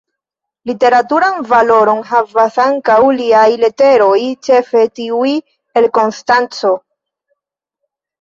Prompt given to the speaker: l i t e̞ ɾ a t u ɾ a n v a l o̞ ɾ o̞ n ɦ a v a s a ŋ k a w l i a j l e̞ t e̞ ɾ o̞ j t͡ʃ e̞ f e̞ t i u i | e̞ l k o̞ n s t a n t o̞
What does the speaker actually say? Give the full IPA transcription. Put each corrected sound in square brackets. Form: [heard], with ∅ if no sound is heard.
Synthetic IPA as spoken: l i t e̞ ɾ a t u ɾ a n v a l o̞ ɾ o̞ n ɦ a v a s a ŋ k a w l i a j l e̞ t e̞ ɾ o̞ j t͡ʃ e̞ f e̞ t i u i | e̞ l k o̞ n s t a n [t͡s] o̞